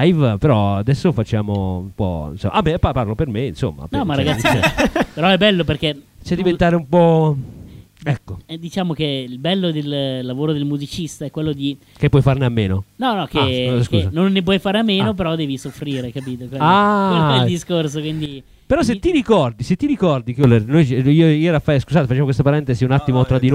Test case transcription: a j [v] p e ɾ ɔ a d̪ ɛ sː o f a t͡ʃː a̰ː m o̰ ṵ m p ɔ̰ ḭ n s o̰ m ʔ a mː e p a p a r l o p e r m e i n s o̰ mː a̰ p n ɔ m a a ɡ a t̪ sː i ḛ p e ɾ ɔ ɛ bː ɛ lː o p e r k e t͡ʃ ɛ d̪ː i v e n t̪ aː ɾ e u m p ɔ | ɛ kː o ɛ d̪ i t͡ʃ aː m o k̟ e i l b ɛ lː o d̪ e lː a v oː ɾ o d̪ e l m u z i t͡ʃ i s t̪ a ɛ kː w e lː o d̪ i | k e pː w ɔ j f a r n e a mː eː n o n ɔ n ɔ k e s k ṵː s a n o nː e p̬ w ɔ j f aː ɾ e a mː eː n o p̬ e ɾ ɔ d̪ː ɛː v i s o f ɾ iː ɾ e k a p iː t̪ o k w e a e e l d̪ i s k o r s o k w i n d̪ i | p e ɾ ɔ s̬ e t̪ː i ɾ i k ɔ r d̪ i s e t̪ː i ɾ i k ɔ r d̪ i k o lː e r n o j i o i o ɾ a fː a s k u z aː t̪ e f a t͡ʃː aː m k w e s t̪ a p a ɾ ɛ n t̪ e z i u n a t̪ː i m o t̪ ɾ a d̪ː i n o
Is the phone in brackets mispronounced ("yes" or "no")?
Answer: no